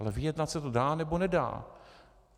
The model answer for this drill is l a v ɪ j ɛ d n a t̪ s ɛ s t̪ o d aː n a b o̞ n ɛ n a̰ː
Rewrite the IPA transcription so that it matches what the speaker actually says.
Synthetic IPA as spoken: l ɛ v ɪ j ɛ d n a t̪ s ɛ t̪ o d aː n ɛ b o̞ n ɛ d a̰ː